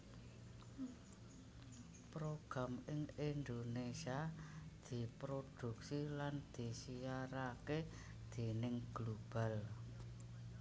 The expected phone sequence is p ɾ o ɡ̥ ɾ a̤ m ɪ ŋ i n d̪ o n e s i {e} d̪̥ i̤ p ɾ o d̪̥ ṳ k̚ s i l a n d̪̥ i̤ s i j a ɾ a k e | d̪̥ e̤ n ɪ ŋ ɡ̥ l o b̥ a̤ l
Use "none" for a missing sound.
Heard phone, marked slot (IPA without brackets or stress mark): a